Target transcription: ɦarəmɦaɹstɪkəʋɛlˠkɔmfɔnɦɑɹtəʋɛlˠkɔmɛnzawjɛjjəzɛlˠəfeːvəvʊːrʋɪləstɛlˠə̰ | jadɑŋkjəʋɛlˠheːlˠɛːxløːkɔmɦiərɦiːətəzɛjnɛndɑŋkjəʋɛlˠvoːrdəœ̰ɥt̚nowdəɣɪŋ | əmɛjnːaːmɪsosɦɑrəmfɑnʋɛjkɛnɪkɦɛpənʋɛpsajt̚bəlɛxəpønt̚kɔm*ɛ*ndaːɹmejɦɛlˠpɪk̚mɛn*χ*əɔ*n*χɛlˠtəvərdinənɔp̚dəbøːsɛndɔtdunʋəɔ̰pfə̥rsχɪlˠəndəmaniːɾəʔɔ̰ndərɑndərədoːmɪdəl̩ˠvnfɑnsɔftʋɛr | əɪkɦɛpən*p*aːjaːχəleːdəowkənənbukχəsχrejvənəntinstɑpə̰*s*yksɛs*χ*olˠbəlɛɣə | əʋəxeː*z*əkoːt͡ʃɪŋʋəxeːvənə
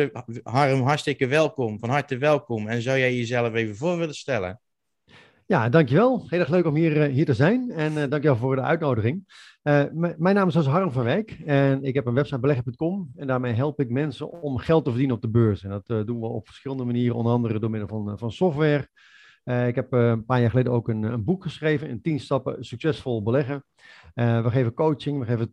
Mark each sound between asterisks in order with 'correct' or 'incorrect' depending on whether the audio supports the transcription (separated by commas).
correct, incorrect, incorrect, correct, correct, incorrect, incorrect